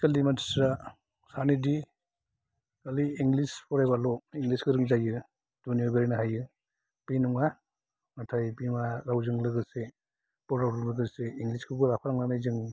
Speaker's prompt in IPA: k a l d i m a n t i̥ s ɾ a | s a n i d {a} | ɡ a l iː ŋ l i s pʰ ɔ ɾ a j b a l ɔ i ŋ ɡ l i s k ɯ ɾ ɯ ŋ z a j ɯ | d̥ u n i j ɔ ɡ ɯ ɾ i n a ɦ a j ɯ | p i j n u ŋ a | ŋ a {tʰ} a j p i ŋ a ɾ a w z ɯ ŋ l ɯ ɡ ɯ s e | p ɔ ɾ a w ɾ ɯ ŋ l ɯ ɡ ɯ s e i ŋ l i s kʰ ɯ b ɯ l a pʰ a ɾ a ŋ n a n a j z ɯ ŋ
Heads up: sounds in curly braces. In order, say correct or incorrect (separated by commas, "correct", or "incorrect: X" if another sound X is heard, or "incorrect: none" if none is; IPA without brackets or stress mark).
incorrect: i, correct